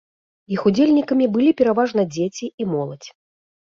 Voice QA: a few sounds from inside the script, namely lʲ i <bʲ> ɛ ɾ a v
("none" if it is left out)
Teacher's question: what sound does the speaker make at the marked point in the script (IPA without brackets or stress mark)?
pʲ